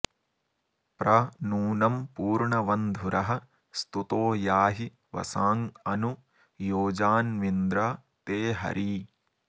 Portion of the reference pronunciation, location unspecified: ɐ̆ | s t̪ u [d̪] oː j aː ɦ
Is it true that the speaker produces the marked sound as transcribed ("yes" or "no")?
no